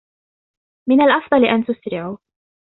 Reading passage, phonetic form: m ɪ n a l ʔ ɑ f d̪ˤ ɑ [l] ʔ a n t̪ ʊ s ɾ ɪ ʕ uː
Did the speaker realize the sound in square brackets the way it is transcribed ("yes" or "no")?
yes